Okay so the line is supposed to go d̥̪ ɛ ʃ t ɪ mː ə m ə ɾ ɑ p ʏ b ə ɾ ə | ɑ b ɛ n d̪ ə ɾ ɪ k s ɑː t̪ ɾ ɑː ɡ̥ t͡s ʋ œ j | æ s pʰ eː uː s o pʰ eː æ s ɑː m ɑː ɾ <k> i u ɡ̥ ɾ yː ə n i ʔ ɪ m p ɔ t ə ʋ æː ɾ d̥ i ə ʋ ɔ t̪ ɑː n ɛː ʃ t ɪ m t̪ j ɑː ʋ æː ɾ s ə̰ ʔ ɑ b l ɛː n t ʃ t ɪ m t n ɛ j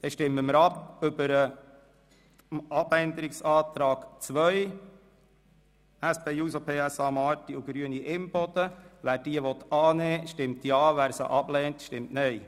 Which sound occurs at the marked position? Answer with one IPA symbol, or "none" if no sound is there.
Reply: t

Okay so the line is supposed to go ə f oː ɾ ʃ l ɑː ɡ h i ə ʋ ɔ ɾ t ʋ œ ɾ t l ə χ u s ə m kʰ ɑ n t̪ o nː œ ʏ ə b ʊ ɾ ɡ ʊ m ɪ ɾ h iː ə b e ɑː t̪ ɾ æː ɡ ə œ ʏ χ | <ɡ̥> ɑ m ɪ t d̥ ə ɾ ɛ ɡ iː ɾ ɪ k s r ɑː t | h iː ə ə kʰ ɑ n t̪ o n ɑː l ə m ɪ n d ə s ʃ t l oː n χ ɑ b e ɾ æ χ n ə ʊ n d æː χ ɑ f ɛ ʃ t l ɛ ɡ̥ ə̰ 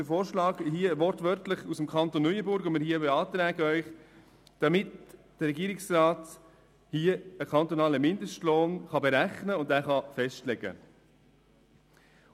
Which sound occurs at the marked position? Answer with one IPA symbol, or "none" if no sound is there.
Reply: d̥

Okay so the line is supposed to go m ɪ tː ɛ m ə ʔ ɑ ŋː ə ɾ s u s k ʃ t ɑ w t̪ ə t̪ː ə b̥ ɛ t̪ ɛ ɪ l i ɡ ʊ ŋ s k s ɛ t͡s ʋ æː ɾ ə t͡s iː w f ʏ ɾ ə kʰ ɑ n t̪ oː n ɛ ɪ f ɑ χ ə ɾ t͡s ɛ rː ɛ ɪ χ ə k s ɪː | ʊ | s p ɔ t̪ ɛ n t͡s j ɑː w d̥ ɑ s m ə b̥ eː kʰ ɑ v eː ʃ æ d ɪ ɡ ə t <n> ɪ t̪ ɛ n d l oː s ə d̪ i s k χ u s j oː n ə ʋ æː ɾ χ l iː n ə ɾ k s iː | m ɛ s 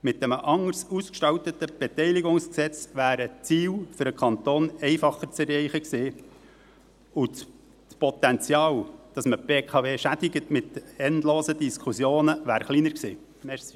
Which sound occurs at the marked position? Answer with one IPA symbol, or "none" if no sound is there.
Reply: m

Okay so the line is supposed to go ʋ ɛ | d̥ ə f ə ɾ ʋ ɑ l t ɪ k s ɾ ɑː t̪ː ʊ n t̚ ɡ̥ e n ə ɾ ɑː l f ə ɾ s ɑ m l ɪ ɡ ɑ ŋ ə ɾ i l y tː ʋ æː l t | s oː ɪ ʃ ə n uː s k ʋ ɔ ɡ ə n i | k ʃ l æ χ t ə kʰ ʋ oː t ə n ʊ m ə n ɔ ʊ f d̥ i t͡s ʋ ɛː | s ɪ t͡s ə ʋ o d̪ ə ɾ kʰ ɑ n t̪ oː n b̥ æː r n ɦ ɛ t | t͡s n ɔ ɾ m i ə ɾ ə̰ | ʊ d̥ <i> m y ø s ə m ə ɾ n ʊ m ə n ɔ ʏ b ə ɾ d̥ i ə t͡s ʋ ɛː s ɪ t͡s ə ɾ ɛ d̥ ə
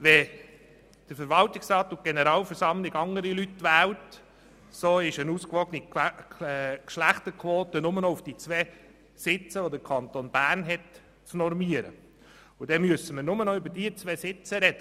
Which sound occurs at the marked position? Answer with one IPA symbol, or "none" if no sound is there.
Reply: ɛ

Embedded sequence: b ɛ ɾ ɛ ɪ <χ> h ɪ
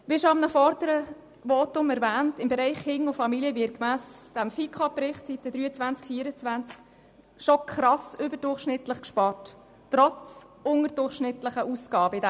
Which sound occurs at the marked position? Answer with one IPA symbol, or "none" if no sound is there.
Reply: χ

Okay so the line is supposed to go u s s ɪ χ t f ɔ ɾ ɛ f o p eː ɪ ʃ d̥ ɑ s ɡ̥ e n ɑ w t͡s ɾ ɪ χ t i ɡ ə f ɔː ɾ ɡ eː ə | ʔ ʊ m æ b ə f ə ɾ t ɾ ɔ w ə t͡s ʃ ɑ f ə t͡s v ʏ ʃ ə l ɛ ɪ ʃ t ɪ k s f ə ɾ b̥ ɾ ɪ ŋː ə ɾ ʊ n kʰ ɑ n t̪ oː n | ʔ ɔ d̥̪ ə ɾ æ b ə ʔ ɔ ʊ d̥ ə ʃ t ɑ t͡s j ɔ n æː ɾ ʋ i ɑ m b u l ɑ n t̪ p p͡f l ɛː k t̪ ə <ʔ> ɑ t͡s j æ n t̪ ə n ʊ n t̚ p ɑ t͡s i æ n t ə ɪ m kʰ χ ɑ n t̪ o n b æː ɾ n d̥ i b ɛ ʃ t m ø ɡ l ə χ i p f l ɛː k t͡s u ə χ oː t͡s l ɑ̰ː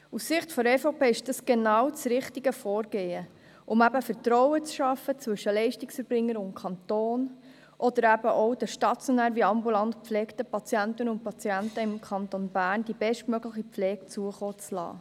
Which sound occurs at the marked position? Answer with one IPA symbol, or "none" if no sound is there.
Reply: p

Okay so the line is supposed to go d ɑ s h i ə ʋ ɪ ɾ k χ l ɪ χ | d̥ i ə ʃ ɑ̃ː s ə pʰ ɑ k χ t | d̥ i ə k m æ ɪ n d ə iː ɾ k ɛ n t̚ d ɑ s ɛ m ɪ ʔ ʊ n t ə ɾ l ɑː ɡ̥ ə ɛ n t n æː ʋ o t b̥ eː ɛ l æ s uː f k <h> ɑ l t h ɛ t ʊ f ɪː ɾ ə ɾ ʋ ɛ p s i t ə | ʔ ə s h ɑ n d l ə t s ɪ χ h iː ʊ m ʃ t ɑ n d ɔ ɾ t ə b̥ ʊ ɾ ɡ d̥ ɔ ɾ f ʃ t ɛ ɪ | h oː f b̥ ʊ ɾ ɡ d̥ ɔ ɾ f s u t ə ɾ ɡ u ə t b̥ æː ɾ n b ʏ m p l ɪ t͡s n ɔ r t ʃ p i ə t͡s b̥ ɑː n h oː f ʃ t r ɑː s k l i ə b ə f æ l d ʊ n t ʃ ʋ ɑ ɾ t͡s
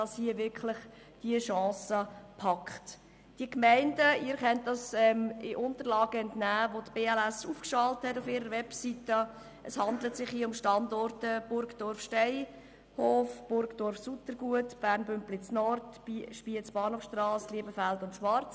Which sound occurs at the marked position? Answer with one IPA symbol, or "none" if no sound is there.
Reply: ʃ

